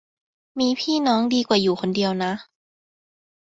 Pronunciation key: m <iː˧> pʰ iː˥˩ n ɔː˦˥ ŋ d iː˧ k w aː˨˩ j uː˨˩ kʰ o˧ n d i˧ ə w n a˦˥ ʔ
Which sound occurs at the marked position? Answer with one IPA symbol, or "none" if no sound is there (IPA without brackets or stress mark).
iː˧